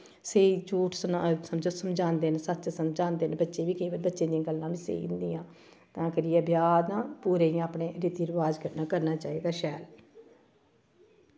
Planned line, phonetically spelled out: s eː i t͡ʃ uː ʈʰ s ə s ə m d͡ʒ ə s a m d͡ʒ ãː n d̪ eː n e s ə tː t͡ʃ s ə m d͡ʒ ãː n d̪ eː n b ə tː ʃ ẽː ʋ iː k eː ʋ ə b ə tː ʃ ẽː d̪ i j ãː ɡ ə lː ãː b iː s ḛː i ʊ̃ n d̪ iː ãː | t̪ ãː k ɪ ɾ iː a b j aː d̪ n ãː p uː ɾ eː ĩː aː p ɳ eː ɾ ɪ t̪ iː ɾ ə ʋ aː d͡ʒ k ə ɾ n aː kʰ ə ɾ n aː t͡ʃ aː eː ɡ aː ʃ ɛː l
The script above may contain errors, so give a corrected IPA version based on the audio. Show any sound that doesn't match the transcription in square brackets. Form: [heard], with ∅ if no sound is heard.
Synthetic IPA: s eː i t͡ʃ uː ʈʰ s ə s ə m d͡ʒ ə s [ə] m d͡ʒ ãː n d̪ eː n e s ə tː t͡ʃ s ə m d͡ʒ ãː n d̪ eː n b ə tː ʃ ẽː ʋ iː k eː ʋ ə b ə tː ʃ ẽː d̪ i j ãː ɡ ə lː ãː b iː s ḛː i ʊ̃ n d̪ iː ãː | t̪ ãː k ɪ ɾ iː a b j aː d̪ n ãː p uː ɾ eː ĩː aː p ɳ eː ɾ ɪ t̪ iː ɾ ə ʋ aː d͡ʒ k ə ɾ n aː [k] ə ɾ n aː t͡ʃ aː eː ɡ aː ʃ ɛː l